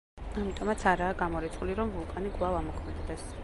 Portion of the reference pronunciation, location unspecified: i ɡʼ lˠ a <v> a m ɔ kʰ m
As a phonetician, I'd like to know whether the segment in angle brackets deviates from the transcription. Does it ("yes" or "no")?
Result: no